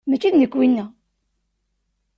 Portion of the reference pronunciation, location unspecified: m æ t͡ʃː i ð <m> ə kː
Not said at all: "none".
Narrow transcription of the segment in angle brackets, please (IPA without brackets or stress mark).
n